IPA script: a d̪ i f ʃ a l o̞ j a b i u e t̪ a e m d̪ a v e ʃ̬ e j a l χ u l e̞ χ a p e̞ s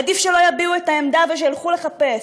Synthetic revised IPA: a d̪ i f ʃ e l o̞ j a b i u e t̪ a e m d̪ a v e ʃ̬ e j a l χ u l e̞ χ a p e̞ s